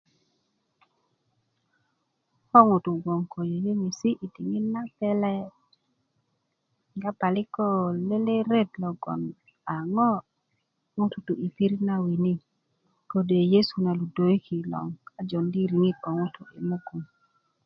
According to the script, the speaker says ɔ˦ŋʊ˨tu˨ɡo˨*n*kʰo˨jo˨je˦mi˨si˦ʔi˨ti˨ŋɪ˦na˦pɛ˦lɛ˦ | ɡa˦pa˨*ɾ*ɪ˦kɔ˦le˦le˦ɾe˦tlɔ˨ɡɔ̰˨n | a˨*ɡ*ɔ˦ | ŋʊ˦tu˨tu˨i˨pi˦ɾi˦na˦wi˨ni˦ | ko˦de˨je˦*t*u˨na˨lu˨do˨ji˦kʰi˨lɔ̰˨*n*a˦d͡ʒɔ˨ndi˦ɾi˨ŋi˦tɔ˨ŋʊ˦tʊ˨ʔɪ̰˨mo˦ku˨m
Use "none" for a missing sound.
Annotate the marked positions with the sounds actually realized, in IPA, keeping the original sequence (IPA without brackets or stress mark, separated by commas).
ŋ, l, ŋ, s, ŋ